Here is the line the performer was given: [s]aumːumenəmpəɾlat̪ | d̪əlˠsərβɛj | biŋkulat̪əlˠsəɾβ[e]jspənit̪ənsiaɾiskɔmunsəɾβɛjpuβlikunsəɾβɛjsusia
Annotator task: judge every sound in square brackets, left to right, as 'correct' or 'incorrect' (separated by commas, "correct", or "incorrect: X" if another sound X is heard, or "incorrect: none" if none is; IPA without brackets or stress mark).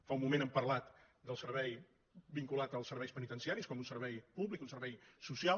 incorrect: f, incorrect: ɛ